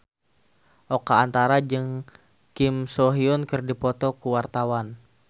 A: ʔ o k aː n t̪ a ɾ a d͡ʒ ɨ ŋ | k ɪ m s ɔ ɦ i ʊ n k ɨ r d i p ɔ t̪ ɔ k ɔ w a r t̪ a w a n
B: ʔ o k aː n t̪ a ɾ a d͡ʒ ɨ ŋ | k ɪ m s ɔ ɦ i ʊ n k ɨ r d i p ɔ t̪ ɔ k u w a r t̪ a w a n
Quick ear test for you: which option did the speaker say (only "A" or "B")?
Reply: B